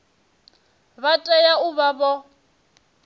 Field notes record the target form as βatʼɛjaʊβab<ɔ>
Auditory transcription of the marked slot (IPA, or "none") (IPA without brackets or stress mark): ɔ